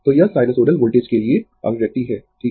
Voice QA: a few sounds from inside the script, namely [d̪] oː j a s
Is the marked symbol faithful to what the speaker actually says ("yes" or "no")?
no